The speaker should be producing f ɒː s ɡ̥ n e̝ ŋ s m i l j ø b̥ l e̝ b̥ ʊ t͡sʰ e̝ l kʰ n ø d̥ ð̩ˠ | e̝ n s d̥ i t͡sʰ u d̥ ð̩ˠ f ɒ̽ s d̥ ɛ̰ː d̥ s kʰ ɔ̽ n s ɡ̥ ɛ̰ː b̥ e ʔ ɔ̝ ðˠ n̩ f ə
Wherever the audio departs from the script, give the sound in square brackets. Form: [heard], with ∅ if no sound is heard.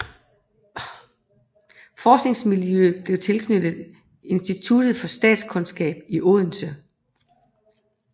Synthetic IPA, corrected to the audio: f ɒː s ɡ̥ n e̝ ŋ s m i l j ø b̥ l e̝ [∅] ʊ t͡sʰ e̝ l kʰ n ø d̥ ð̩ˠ | e̝ n s d̥ i t͡sʰ u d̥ ð̩ˠ f ɒ̽ s d̥ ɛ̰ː d̥ s kʰ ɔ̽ n s ɡ̥ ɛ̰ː b̥ [i] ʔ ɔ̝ ðˠ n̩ [s] ə